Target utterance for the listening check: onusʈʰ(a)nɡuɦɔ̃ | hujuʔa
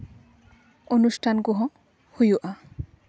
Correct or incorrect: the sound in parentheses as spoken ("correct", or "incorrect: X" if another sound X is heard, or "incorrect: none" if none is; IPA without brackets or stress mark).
correct